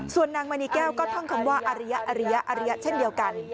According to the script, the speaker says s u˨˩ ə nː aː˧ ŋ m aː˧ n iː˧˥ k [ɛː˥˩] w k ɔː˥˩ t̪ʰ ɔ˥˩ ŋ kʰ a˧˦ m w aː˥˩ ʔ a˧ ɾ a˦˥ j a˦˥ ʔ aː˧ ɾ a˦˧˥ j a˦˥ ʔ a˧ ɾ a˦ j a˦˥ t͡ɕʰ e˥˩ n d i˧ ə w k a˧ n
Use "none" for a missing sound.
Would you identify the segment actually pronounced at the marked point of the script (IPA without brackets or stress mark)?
ɛː˥˩